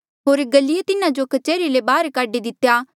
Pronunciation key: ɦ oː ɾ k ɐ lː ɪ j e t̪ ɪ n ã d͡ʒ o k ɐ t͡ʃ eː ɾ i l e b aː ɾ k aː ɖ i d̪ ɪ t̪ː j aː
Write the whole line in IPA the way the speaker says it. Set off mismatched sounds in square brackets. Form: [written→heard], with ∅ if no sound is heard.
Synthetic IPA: ɦ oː ɾ [k→ɡ] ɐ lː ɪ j e t̪ ɪ n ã d͡ʒ o k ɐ t͡ʃ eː ɾ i l e b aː ɾ k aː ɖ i d̪ ɪ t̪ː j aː